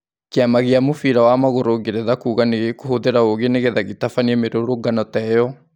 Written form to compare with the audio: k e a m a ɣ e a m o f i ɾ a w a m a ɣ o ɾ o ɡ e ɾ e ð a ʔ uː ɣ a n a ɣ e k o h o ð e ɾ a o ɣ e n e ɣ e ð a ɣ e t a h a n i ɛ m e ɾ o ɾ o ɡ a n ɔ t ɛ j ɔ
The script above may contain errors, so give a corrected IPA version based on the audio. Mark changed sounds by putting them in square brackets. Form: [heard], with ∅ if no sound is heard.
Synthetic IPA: k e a m a ɣ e a m o f i ɾ a w a m a ɣ o ɾ o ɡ e ɾ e ð a [k] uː ɣ a n [e] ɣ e k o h o ð e ɾ a o ɣ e n e ɣ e ð a ɣ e t a [f] a n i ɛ m e ɾ o ɾ o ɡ a n ɔ t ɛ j ɔ